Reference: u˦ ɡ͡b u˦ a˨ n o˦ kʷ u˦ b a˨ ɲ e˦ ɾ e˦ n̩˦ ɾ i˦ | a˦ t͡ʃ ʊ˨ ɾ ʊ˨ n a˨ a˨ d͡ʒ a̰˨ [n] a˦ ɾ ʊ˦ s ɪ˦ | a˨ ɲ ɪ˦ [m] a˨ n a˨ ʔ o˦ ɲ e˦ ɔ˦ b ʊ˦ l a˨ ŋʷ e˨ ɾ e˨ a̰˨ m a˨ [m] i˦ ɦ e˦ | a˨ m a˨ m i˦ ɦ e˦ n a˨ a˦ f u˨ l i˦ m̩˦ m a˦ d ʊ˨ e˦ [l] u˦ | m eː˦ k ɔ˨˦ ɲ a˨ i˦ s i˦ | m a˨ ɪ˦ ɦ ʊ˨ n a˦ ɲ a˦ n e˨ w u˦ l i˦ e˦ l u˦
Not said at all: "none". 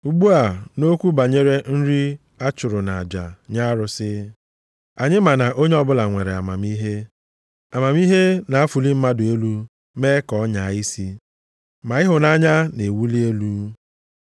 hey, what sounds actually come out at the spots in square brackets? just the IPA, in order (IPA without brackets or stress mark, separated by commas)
ɲ, m, m, l